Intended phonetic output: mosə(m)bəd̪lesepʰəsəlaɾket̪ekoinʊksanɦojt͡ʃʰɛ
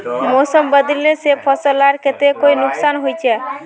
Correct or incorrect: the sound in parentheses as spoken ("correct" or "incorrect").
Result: correct